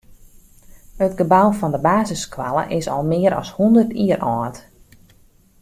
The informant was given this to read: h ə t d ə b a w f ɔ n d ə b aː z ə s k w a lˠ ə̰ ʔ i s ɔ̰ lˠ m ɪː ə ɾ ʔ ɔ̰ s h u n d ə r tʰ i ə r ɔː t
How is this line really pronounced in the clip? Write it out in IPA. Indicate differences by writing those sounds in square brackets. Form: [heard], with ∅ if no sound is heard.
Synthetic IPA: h ə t [ɡ] ə b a w f ɔ n d ə b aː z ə s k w a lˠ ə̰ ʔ [ɪ] s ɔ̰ lˠ m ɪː ə ɾ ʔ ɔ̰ s h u n d ə r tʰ i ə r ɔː t